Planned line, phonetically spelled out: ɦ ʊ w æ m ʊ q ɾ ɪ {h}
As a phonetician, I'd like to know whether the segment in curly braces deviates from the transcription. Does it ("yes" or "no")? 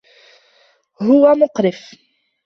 yes